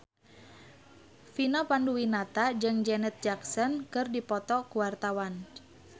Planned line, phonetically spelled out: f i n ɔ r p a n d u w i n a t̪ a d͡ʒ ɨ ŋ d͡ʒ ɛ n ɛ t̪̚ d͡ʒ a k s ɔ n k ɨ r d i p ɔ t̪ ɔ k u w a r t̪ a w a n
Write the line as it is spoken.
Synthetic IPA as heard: f i n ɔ p a n d u w i n a t̪ a d͡ʒ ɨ ŋ d͡ʒ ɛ n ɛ t̪̚ d͡ʒ a k s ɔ n k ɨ r d i p ɔ t̪ ɔ k u w a r t̪ a w a n